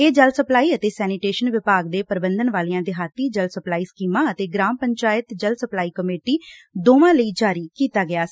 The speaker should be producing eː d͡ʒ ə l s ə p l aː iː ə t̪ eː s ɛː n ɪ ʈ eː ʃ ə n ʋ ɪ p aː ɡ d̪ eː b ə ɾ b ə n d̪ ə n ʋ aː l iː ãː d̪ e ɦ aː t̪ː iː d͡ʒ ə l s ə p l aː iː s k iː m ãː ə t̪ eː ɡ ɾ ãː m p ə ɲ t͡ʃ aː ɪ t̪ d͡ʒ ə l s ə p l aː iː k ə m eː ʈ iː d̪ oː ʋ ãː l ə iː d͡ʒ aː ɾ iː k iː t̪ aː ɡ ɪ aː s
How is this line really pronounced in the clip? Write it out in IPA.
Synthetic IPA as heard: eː d͡ʒ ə l s ə p l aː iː ə t̪ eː s ɛː n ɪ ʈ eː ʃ ə n ʋ ɪ p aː ɡ d̪ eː p ə ɾ b ə n d̪ ə n ʋ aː l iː ãː d̪ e ɦ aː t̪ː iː d͡ʒ ə l s ə p l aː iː s k iː m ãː ə t̪ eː ɡ ɾ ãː m p ə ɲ t͡ʃ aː ɪ t̪ d͡ʒ ə l s ə p l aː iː k ə m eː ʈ iː d̪ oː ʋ ãː l ə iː d͡ʒ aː ɾ iː k iː t̪ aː ɡ ɪ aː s